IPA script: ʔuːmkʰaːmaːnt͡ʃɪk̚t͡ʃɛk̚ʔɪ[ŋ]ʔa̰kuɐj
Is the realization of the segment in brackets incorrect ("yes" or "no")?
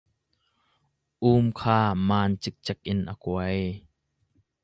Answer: yes